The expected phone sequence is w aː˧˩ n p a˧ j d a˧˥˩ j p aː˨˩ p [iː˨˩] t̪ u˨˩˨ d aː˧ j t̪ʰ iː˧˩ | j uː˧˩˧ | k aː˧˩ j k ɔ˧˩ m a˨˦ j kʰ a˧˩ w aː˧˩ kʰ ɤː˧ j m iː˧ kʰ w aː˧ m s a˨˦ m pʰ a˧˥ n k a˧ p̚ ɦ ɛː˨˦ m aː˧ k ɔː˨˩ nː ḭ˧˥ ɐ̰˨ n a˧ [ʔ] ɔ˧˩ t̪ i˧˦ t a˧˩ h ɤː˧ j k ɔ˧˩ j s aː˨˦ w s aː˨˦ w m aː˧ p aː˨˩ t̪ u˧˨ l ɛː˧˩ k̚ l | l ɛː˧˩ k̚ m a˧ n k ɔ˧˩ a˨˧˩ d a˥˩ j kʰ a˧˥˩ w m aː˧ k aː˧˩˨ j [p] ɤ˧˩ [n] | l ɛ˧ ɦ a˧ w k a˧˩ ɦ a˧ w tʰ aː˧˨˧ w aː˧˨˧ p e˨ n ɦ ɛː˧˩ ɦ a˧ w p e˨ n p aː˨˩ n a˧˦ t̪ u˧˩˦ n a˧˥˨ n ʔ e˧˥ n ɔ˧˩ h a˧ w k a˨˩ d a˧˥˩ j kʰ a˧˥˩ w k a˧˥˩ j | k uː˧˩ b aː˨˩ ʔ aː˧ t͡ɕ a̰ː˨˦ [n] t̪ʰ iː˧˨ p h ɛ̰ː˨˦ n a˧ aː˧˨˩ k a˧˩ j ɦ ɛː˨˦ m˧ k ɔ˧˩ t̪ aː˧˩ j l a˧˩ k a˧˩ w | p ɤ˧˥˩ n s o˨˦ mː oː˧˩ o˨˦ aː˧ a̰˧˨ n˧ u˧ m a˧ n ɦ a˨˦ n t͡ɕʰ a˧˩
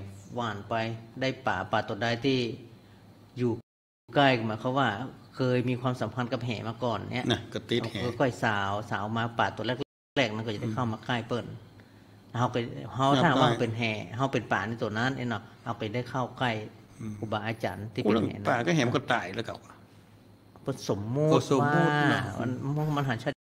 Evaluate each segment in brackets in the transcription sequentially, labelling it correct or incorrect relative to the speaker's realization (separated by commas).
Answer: incorrect, incorrect, correct, correct, correct